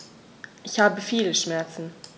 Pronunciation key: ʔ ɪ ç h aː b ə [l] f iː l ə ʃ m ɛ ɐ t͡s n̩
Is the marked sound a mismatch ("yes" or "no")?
yes